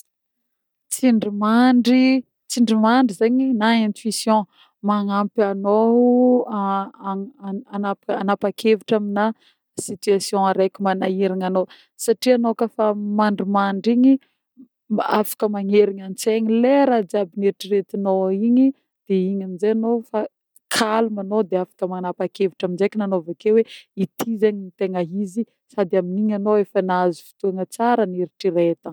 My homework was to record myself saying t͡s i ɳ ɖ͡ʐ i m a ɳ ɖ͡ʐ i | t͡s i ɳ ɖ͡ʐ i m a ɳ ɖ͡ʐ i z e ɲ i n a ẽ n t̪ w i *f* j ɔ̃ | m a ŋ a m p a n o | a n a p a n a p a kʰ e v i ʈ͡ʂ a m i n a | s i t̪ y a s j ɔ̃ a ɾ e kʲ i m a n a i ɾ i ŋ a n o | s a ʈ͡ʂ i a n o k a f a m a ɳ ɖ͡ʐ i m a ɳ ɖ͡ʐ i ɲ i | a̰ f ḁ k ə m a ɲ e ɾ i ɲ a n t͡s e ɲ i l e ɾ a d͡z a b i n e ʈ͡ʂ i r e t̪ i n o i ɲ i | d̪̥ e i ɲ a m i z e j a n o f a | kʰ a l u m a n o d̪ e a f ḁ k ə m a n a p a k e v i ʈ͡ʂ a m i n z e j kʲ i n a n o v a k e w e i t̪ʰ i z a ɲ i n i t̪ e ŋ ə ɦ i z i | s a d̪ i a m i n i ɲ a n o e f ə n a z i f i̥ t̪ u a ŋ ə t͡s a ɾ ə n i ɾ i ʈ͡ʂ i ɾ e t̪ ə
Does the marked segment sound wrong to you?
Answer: yes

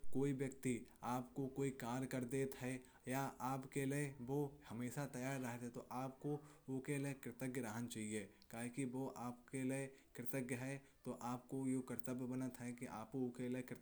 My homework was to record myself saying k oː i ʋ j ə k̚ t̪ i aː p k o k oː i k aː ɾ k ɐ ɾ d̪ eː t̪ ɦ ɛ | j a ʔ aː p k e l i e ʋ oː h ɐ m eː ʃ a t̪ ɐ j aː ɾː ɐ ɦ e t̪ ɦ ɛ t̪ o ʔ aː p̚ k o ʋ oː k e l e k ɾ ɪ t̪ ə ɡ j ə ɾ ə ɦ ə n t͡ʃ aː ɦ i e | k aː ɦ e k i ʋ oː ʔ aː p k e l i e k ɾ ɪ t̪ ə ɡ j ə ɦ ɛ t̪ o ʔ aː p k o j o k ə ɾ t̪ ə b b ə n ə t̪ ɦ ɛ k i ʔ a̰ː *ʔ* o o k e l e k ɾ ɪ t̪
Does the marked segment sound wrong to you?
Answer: yes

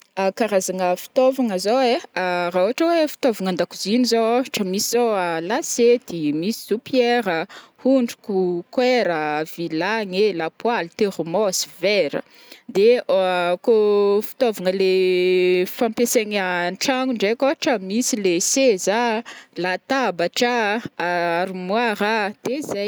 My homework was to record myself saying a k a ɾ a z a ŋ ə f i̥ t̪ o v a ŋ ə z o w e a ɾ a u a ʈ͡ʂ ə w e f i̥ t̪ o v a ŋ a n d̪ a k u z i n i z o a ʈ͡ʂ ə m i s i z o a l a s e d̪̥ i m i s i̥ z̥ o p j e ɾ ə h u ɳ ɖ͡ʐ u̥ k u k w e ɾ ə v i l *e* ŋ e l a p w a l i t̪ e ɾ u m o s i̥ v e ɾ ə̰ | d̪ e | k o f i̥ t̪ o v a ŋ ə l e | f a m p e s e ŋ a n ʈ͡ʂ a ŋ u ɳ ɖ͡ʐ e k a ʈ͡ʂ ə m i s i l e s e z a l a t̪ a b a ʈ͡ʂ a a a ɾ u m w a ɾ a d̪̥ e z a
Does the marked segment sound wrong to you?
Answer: yes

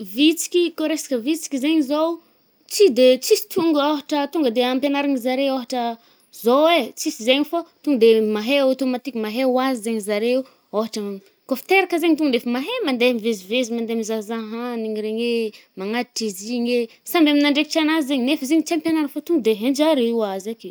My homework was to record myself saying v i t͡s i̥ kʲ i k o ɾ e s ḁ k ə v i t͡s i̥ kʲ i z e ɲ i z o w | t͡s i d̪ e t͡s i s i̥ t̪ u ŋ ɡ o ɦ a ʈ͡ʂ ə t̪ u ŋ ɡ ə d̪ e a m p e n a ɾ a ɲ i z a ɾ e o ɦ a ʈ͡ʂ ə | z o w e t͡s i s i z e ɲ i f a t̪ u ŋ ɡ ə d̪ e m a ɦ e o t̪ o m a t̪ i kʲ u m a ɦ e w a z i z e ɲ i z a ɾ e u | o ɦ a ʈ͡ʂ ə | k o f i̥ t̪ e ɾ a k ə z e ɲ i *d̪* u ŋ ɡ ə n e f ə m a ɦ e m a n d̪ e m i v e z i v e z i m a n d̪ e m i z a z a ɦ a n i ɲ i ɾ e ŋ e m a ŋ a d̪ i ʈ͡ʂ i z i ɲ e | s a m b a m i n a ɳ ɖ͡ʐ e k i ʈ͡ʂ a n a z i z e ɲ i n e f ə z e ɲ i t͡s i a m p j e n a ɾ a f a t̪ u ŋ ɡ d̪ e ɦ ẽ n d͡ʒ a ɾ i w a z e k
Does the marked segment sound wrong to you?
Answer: yes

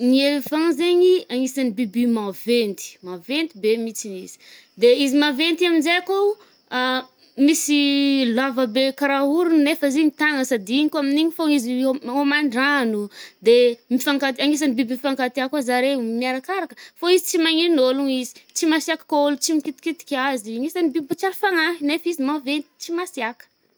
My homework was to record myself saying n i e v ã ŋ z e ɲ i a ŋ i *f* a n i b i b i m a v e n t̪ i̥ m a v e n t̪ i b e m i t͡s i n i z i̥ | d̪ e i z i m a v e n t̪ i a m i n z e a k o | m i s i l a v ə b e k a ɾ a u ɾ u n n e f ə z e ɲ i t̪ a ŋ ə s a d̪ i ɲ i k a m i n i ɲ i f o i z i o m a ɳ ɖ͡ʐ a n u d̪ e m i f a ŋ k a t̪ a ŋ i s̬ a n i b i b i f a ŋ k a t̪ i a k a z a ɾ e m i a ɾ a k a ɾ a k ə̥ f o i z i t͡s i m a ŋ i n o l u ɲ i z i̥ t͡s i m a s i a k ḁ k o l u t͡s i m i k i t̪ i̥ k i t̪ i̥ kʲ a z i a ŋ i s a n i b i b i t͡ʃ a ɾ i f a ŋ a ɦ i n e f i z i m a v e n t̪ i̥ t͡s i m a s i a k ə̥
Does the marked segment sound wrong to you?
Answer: yes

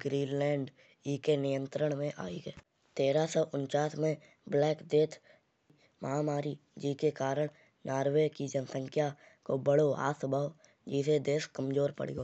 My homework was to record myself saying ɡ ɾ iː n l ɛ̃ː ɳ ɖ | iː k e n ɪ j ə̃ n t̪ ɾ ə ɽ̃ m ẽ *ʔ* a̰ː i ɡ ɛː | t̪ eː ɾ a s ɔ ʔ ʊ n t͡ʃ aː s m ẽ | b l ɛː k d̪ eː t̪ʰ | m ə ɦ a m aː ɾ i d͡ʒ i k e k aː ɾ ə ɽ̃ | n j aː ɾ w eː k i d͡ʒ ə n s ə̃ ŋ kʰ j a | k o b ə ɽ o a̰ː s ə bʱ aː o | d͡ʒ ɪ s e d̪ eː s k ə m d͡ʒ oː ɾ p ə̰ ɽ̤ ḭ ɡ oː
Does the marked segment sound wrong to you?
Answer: no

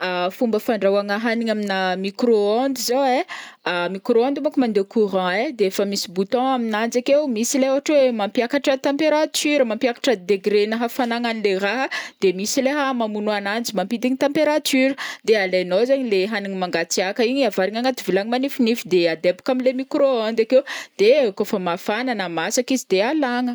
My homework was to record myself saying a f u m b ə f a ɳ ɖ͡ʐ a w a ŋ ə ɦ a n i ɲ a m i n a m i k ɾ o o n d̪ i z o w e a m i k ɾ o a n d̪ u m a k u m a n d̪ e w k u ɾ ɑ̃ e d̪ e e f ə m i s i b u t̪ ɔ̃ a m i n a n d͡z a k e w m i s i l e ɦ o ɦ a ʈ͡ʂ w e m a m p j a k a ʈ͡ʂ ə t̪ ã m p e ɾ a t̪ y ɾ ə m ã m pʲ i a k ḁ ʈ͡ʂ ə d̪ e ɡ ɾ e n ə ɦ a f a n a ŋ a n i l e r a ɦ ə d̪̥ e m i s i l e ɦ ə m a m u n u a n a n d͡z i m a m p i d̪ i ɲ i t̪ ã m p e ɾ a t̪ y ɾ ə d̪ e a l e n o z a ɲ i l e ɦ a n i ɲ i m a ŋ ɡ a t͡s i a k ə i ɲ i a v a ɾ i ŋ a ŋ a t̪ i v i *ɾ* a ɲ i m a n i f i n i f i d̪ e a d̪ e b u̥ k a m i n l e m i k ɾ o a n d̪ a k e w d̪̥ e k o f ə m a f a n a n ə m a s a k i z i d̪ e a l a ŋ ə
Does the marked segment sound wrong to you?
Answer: yes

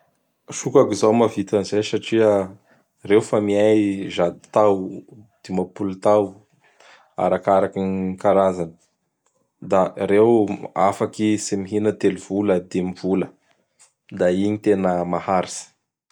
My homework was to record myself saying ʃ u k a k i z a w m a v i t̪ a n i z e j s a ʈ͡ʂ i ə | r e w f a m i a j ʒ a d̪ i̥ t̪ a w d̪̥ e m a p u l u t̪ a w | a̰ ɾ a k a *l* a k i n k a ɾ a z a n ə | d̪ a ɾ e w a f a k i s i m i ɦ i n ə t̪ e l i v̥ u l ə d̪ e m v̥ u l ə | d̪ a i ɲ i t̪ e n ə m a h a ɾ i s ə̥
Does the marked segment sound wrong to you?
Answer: yes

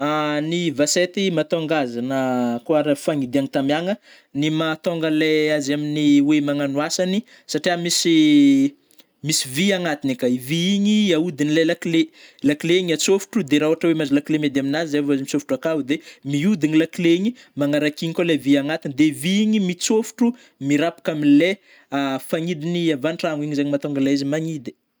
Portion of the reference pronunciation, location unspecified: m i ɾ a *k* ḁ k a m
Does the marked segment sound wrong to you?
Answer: yes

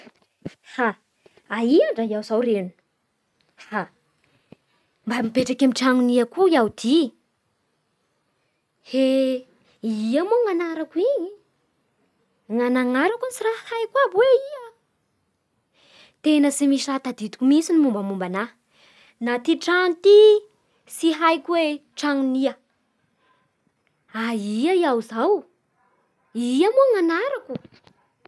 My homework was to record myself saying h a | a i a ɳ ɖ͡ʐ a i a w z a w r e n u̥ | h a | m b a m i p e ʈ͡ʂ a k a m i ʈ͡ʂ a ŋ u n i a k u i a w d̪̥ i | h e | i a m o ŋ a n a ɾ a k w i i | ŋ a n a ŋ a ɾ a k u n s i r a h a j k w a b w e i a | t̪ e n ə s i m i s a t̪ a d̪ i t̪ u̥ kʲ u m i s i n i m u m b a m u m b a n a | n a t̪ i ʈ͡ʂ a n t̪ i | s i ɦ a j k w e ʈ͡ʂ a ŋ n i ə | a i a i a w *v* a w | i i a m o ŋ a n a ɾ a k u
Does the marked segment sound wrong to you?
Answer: yes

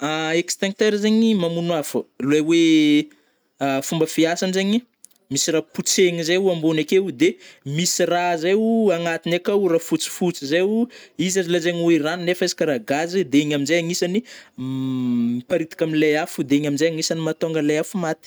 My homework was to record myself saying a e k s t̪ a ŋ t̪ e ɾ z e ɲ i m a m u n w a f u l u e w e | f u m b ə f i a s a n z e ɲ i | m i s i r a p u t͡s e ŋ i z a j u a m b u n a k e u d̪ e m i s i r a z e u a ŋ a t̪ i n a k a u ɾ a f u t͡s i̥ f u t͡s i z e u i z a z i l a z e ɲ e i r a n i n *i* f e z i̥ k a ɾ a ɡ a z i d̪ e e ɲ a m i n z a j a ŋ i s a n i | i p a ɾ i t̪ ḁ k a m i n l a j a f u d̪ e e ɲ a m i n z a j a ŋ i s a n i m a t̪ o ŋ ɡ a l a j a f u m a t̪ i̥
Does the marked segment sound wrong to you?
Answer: yes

